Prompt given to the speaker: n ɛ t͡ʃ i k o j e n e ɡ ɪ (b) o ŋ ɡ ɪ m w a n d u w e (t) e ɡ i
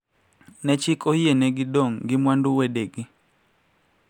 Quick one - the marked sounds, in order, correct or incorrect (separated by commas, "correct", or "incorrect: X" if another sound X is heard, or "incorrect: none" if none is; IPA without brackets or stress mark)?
incorrect: d, incorrect: d